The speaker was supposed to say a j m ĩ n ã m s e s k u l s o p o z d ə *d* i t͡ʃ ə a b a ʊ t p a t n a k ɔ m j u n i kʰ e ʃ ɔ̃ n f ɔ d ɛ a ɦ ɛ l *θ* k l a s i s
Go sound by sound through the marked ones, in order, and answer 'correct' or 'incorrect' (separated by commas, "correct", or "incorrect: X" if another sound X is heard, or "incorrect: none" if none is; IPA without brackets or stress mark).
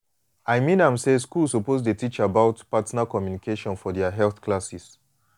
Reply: incorrect: t, correct